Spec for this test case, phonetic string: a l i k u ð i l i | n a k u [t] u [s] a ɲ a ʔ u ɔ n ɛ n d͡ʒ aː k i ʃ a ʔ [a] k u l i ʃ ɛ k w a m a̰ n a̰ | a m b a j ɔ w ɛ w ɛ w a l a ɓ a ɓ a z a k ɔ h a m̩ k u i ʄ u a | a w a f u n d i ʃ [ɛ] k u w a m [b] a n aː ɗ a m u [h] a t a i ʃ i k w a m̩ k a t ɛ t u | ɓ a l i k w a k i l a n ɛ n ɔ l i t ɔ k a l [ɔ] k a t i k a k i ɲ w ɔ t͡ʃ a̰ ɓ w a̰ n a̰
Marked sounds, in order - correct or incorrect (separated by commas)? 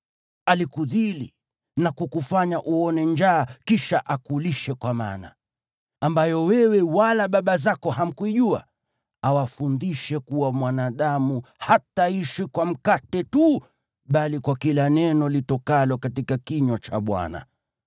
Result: incorrect, incorrect, correct, correct, incorrect, correct, correct